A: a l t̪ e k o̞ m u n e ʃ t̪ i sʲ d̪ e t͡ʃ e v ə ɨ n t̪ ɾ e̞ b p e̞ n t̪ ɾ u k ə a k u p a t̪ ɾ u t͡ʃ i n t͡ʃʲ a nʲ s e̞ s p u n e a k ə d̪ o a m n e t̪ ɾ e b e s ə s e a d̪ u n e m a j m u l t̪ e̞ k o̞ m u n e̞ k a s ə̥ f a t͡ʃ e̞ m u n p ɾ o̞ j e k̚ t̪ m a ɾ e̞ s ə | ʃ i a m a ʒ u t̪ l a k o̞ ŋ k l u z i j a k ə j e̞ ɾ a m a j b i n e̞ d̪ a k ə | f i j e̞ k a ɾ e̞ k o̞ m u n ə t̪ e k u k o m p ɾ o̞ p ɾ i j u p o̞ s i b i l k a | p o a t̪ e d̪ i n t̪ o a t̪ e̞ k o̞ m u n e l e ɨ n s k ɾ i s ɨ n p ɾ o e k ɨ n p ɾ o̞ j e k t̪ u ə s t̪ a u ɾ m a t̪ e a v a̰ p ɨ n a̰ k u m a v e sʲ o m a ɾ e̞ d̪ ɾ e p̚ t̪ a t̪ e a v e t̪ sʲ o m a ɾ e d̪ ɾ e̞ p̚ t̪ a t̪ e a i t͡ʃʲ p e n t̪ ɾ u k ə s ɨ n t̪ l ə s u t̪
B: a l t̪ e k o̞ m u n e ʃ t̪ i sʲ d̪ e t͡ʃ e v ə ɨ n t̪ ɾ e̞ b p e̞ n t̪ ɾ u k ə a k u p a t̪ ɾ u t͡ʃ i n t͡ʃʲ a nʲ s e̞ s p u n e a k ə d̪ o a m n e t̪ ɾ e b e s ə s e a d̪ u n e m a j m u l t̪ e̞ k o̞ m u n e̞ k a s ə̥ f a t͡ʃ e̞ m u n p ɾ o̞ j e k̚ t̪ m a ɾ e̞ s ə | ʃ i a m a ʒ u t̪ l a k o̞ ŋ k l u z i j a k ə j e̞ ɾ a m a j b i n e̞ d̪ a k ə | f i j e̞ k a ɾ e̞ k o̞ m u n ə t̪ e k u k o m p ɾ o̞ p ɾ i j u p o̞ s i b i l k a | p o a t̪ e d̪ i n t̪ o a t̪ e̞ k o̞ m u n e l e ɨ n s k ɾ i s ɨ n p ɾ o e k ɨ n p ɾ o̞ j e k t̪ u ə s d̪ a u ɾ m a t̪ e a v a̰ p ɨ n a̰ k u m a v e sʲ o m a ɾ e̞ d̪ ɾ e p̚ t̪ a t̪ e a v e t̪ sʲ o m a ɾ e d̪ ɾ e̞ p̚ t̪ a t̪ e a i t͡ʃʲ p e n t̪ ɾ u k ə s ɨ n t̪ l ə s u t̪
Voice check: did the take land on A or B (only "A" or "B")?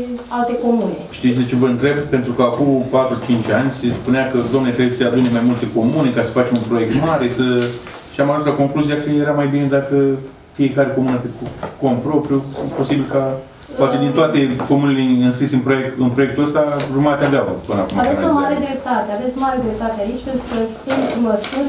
A